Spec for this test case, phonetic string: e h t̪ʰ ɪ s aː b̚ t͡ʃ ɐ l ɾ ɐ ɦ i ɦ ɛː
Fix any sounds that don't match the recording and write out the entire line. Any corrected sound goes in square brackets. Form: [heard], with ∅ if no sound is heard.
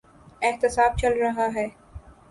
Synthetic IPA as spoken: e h [t̪] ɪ s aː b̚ t͡ʃ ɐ l ɾ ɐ ɦ [a] ɦ ɛː